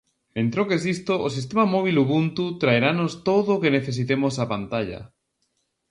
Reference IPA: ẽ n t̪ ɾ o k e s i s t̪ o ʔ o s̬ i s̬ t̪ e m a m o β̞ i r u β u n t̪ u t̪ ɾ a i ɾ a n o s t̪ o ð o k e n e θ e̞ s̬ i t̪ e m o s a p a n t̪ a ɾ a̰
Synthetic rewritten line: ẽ n t̪ ɾ o k e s i s t̪ o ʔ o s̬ i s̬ t̪ e m a m o β̞ i l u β u n t̪ u t̪ ɾ a e ɾ a n o s t̪ o ð o k e n e θ e̞ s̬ i t̪ e m o s a p a n t̪ a ʎ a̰